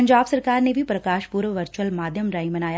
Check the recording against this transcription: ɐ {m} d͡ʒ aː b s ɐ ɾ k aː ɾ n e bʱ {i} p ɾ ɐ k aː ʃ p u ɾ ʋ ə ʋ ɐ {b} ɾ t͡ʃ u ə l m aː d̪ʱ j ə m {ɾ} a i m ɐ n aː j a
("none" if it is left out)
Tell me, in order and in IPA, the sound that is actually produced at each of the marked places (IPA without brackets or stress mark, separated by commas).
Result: ɲ, i, none, ɾ